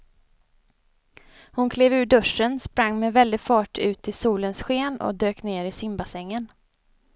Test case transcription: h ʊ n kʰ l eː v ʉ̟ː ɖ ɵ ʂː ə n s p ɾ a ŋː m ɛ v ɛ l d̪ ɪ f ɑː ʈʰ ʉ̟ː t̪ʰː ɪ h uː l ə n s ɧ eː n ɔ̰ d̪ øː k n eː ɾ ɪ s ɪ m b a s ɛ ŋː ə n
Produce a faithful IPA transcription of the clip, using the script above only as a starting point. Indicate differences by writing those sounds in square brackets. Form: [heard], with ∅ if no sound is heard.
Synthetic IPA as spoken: h ʊ n kʰ l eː v ʉ̟ː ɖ ɵ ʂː ə n s p ɾ a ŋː m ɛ v ɛ l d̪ ɪ f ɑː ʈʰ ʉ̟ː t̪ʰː ɪ [s] uː l ə n s ɧ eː n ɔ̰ d̪ øː k n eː ɾ ɪ s ɪ m b a s ɛ ŋː ə n

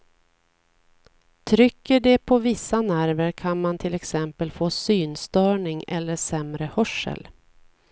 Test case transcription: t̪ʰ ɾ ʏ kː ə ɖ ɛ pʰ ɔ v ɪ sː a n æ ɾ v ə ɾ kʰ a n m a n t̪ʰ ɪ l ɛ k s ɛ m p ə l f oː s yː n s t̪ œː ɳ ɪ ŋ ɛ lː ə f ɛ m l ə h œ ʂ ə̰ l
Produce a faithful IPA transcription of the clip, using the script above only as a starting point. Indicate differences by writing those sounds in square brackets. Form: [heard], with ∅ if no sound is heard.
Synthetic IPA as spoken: t̪ʰ ɾ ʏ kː ə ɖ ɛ pʰ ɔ v ɪ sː a n æ ɾ v ə ɾ kʰ a n m a n t̪ʰ ɪ l ɛ k s ɛ m p ə l f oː s yː n s t̪ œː ɳ ɪ ŋ ɛ lː ə [ʂ] ɛ m [ɾ] ə h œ ʂ ə̰ l

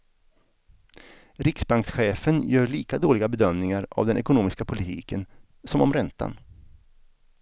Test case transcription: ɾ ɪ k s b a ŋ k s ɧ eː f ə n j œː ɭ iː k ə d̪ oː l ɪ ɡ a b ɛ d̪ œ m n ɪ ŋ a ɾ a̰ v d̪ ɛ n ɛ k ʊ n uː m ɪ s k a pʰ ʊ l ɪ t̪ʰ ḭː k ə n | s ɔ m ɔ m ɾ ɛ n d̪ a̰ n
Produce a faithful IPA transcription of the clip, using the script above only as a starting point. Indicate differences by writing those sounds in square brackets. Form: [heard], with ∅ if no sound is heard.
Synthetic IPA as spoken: ɾ ɪ k s b a ŋ k s ɧ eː f ə n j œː ɭ iː k [a] d̪ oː l ɪ ɡ a b ɛ d̪ œ m n ɪ ŋ a ɾ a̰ v d̪ ɛ n ɛ k ʊ n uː m ɪ s k a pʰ ʊ l ɪ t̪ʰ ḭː k ə n | s ɔ m ɔ m ɾ ɛ n [t̪] a̰ n

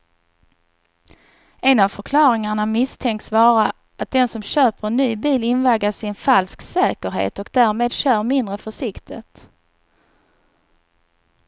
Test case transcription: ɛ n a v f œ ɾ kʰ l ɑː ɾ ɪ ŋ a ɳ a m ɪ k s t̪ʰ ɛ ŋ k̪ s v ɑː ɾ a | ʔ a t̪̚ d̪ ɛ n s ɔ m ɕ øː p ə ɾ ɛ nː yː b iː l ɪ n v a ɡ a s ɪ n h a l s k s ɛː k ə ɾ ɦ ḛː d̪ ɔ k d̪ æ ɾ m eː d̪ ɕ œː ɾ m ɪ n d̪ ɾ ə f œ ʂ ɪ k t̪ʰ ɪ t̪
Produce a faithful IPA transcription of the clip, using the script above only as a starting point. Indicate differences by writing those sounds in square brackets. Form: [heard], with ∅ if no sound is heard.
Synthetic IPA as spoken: ɛ n a v f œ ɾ kʰ l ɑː ɾ ɪ ŋ a ɳ a m ɪ [∅] s t̪ʰ ɛ ŋ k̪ s v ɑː ɾ a | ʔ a t̪̚ d̪ ɛ n s ɔ m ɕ øː p ə ɾ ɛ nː yː b iː l ɪ n v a ɡ a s ɪ n [f] a l s k s ɛː k ə ɾ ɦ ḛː [t̪] ɔ k d̪ æ ɾ m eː d̪ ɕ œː ɾ m ɪ n d̪ ɾ ə f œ ʂ ɪ k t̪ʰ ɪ t̪

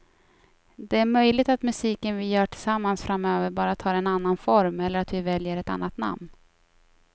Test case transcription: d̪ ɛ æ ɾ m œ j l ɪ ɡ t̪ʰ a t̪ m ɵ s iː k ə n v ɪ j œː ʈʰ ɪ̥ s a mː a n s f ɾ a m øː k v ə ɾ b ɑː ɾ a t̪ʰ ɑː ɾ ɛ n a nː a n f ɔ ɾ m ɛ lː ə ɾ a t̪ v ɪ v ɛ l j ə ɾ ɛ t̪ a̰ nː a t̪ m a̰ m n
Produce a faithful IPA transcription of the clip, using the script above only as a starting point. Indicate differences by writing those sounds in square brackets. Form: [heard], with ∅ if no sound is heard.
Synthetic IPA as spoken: d̪ ɛ æ ɾ m œ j l ɪ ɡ [t̪] a t̪ m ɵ s iː k ə n v ɪ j œː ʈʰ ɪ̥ s a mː a n s f ɾ a m øː [∅] v ə ɾ b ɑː ɾ a t̪ʰ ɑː ɾ ɛ n a nː a n f ɔ ɾ m ɛ lː ə ɾ a t̪ v ɪ v ɛ l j ə ɾ ɛ t̪ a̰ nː a t̪ [n] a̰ m n

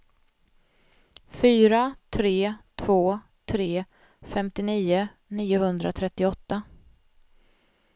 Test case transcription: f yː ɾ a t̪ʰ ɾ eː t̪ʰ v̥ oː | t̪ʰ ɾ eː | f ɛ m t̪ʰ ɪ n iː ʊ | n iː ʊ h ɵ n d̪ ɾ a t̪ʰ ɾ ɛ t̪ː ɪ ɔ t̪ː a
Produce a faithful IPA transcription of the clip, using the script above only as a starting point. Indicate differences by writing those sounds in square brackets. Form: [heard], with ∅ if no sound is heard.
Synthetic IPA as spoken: f yː ɾ a t̪ʰ ɾ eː t̪ʰ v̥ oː | t̪ʰ ɾ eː | f ɛ m [t̪] ɪ n iː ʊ | n iː ʊ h ɵ n d̪ ɾ a t̪ʰ ɾ ɛ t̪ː ɪ ɔ t̪ː a

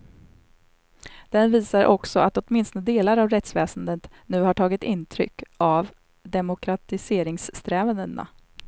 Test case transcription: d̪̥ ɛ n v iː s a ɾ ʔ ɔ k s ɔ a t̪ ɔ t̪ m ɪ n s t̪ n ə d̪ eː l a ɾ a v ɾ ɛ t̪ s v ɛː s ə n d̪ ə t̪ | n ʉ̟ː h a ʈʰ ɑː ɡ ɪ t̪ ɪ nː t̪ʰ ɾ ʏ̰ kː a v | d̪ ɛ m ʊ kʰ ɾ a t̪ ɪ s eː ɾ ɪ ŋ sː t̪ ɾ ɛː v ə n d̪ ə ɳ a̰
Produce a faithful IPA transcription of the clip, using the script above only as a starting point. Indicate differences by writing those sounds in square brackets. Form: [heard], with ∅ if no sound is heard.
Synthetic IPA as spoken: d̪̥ ɛ n v iː s a ɾ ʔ ɔ k s ɔ a t̪ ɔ t̪ m ɪ n s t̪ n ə d̪ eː l a ɾ a v ɾ ɛ t̪ s v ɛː s ə n d̪ ə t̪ | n ʉ̟ː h a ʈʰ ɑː ɡ ɪ t̪ ɪ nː t̪ʰ ɾ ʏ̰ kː a v | d̪ ɛ m ʊ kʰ ɾ a t̪ ɪ s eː ɾ ɪ ŋ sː t̪ ɾ ɛː v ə n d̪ ə [n] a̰

